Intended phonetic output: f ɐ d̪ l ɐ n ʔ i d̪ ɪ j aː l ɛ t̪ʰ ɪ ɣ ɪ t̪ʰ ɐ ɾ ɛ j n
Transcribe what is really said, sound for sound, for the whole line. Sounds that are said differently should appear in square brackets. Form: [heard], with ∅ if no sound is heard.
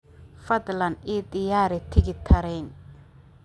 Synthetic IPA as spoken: f ɐ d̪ l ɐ n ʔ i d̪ ɪ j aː [ɾ] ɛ t̪ʰ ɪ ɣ ɪ t̪ʰ ɐ ɾ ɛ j n